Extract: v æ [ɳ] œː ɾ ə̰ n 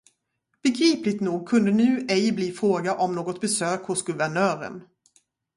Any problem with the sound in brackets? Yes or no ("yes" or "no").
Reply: no